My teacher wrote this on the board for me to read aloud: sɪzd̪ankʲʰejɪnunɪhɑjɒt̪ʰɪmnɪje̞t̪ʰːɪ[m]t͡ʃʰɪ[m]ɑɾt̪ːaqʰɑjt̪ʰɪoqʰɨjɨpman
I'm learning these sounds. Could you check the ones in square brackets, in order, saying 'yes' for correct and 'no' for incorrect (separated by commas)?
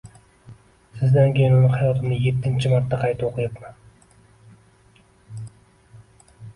no, yes